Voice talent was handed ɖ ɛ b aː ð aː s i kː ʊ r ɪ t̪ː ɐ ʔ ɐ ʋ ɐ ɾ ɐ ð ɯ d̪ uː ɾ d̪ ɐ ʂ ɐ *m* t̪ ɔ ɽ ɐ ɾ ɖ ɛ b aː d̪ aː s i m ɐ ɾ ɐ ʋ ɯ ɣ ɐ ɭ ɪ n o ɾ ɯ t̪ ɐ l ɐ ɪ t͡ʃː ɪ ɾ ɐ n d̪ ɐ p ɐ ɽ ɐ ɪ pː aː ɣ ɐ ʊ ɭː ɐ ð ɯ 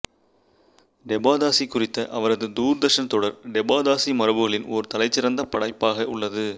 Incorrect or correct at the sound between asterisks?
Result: incorrect: n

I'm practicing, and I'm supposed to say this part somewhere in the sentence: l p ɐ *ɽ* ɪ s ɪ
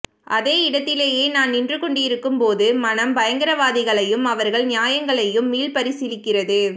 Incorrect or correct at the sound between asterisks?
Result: incorrect: ɾ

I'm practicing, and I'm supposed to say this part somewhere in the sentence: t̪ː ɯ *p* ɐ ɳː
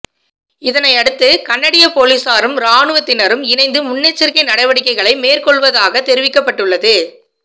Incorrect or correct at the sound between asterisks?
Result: incorrect: k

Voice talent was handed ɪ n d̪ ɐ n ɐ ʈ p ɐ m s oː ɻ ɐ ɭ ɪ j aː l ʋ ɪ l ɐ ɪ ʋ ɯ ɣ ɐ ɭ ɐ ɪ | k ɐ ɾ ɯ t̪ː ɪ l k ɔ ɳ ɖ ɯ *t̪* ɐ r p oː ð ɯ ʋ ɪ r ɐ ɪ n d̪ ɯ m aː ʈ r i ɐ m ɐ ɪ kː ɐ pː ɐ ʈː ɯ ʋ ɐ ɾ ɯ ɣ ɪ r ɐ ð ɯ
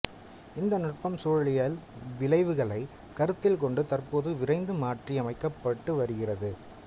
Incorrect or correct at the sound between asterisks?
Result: correct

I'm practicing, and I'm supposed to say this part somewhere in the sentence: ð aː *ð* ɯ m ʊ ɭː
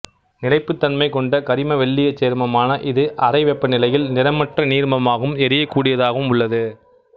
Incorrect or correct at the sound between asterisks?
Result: incorrect: ɣ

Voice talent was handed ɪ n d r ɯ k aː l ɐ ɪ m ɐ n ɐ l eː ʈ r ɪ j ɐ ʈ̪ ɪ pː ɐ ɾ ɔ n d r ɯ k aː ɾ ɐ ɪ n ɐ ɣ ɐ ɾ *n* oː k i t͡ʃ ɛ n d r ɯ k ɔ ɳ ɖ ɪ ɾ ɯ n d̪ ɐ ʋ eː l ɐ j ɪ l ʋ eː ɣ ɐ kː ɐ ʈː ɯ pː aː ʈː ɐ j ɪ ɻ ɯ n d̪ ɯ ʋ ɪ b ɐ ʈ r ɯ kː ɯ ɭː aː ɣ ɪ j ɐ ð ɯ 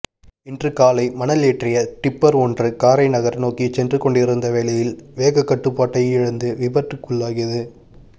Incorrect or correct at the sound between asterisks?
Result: correct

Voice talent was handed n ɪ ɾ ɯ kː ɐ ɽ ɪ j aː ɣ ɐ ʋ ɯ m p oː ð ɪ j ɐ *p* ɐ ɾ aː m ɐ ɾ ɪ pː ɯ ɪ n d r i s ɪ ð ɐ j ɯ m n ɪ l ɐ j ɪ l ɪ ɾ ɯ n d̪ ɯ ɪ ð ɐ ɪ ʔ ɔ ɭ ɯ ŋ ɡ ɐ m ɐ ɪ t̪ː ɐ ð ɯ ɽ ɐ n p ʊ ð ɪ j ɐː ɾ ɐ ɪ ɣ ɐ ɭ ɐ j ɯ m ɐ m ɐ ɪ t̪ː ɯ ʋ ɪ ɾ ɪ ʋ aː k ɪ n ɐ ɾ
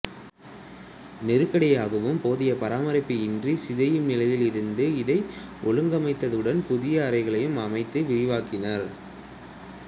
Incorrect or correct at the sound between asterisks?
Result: correct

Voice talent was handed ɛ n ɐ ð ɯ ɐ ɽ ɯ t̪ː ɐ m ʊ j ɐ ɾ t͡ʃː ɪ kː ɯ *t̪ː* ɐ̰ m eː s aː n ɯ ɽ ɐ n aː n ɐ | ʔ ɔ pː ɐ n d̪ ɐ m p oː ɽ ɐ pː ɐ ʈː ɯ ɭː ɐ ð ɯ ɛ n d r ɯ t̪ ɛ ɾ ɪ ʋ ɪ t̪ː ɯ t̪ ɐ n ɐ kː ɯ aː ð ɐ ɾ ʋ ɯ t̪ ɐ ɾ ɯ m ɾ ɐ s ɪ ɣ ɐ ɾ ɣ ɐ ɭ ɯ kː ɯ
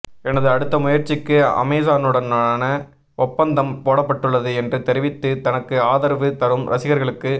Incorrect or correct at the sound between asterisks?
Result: incorrect: none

